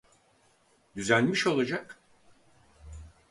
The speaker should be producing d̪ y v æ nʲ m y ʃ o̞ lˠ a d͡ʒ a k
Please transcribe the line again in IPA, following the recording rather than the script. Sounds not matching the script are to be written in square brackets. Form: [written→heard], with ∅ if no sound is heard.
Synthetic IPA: d̪ y [v→z] æ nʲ m [y→i] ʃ o̞ lˠ a d͡ʒ a k